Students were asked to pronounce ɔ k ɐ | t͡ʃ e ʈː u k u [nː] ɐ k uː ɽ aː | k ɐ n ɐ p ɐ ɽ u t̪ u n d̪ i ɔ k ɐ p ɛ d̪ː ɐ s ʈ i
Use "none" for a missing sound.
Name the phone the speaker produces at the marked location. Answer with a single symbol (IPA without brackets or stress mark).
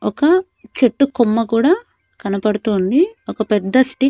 mː